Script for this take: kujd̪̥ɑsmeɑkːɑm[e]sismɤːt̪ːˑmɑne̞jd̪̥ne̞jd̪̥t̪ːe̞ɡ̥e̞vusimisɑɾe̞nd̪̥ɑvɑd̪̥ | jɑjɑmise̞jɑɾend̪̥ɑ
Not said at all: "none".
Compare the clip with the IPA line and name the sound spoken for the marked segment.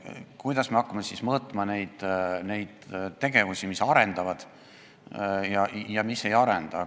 e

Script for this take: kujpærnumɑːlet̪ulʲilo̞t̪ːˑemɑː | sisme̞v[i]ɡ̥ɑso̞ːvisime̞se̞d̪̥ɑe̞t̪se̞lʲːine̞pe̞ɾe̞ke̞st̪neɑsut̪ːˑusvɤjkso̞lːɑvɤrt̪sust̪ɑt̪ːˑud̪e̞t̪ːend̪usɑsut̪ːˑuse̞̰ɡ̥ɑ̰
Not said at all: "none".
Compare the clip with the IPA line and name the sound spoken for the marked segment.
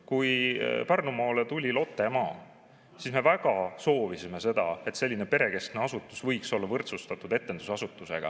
æ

